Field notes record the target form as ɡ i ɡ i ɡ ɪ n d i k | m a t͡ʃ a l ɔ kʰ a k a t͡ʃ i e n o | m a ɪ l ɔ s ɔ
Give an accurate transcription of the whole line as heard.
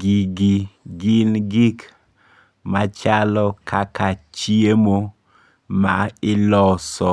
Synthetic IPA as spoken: ɡ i ɡ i ɡ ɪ n ɡ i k | m a t͡ʃ a l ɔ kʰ a k a t͡ʃ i e m o | m a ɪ l ɔ s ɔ

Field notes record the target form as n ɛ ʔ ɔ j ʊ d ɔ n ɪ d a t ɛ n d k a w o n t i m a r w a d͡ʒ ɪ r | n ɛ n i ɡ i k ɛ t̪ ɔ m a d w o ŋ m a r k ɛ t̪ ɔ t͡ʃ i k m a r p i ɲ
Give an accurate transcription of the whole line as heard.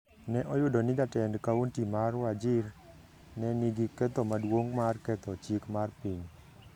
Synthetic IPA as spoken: n ɛ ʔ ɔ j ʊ d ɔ n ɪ d a t ɛ n d k a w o n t i m a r w a d͡ʒ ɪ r | n ɛ n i ɡ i k ɛ t̪ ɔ m a d w o ŋ m a r k ɛ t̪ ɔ t͡ʃ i k m a r p i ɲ

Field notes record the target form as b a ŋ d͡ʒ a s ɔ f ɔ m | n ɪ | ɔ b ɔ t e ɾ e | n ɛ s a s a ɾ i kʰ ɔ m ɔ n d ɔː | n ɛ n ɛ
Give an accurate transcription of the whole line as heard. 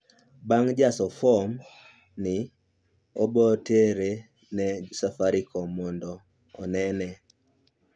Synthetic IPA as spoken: b a ŋ d͡ʒ a s ɔ f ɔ m | n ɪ | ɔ b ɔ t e ɾ e | n ɛ s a f a ɾ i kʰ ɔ m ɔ n d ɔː | n ɛ n ɛ

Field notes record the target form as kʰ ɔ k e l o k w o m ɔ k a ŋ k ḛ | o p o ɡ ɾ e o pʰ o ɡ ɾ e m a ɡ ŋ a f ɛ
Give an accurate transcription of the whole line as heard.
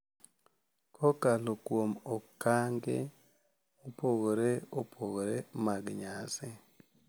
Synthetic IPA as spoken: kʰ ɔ k a l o k w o m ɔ k a ŋ ɡ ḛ | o p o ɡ ɾ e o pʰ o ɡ ɾ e m a ɡ ɲ a s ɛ

